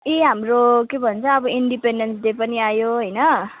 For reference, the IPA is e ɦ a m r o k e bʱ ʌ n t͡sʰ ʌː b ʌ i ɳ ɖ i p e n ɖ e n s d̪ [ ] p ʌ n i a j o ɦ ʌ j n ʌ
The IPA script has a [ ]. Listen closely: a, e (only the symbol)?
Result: e